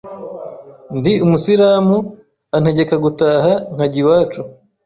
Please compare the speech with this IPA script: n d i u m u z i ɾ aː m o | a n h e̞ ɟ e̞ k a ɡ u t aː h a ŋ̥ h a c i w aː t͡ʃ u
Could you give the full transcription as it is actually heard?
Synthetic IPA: n d i u m u s i ɾ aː m u | a n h e̞ ɟ e̞ k a ɡ u t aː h a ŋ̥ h a ɟ i w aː t͡ʃ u